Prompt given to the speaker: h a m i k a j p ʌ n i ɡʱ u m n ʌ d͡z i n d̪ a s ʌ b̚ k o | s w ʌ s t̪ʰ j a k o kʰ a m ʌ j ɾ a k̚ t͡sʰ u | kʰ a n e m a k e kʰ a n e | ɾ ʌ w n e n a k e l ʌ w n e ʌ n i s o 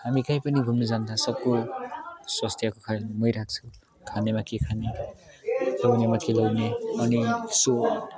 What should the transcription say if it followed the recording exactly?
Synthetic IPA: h a m i k a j p ʌ n i ɡʱ u m n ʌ d͡z a n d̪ a s ʌ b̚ k o | s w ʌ s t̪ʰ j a k o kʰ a m ʌ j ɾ a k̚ t͡sʰ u | kʰ a n e m a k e kʰ a n e | l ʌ w n e m a k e l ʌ w n e ʌ n i s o